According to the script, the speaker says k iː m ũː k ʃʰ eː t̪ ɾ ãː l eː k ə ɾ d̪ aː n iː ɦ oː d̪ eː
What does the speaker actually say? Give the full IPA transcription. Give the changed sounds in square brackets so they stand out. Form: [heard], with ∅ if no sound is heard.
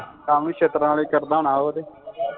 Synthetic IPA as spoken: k [aː] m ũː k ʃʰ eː t̪ ɾ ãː l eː k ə ɾ d̪ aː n [aː] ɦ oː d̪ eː